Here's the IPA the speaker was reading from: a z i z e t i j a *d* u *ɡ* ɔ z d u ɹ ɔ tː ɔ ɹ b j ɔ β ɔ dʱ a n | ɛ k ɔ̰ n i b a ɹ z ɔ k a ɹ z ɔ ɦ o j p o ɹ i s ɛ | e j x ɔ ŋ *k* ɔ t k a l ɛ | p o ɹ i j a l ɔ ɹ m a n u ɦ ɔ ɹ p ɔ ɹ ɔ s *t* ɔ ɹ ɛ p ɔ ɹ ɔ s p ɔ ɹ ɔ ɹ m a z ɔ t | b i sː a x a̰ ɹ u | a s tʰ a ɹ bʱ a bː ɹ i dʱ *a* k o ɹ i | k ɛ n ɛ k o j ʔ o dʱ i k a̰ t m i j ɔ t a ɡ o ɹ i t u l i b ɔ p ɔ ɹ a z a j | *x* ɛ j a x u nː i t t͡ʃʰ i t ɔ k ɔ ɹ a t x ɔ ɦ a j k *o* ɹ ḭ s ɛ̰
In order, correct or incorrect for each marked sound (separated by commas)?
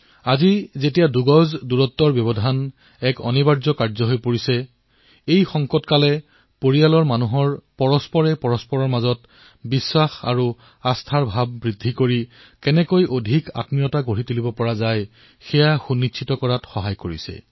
correct, correct, correct, incorrect, incorrect, correct, correct